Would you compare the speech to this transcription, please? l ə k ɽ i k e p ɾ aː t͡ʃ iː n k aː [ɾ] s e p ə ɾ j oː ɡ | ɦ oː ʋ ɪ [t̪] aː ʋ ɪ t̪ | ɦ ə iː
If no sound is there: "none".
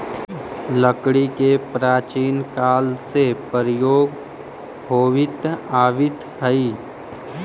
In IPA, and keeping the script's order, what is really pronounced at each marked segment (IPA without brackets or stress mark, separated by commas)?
l, t̪